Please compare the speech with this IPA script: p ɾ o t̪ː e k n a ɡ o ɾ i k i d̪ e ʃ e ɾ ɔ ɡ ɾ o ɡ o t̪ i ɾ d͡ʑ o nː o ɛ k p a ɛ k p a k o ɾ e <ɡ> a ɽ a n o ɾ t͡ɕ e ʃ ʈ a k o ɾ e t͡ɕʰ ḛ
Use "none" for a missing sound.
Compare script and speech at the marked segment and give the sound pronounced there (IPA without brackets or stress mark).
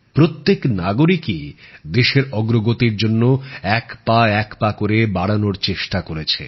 b